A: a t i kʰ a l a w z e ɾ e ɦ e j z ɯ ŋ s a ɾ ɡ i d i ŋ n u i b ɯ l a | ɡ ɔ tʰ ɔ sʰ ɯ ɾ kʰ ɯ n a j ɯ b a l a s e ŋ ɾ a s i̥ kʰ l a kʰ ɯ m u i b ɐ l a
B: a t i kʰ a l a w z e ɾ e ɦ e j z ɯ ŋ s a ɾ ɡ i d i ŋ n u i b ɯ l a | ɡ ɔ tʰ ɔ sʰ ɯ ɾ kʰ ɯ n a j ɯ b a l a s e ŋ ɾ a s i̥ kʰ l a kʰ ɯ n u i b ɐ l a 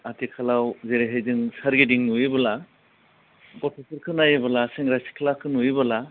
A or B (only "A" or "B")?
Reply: B